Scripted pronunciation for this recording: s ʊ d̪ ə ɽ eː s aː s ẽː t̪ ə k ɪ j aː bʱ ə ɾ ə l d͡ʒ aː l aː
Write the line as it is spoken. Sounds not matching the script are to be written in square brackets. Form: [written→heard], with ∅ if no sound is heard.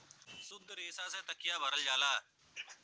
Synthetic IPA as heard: s ʊ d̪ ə [ɽ→ɾ] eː s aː s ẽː t̪ ə k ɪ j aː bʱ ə ɾ ə l d͡ʒ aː l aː